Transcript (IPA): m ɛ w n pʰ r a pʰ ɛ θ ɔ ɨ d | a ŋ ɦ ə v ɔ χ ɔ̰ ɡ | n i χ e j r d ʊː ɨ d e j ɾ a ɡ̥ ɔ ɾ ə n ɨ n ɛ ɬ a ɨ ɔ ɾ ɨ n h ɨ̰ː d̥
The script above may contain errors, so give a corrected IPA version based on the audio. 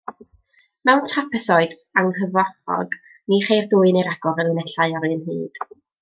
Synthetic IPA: m ɛ w n tʰ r a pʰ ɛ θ ɔ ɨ d | a ŋ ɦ ə v ɔ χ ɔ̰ ɡ | n i χ e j r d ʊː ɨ n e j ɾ a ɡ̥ ɔ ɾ ə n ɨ n ɛ ɬ a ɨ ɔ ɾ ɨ n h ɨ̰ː d̥